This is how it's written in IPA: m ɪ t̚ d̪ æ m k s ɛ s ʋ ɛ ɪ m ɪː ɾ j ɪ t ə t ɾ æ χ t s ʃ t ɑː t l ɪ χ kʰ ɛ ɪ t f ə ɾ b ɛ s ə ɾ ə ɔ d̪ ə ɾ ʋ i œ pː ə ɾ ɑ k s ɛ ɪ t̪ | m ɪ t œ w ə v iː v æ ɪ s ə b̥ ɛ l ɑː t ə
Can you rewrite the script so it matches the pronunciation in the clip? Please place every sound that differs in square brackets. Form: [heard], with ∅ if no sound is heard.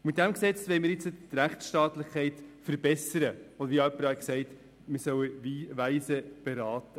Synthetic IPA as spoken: m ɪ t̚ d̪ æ m k s ɛ [t͡s] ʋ ɛ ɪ m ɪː ɾ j ɪ [t͡s] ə t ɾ æ χ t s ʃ t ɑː t l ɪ χ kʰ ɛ ɪ t f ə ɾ b ɛ s ə ɾ ə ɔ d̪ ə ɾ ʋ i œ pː ə ɾ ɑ k s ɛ ɪ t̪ | m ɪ [s] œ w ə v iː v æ ɪ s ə b̥ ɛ [ɾ] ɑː t ə